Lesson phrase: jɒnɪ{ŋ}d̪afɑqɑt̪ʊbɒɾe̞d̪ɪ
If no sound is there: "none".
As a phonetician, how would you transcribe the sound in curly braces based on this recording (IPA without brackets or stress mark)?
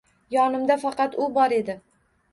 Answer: m